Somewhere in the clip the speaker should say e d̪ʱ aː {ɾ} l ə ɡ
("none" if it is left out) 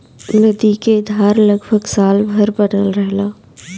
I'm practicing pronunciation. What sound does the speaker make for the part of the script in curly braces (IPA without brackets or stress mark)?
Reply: ɾ